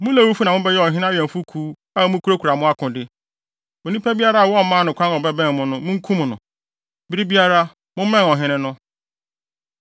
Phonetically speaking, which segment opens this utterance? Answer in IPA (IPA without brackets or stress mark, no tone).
m